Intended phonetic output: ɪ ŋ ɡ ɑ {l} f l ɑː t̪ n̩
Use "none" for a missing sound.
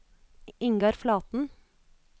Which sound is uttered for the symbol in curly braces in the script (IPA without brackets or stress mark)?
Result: ɾ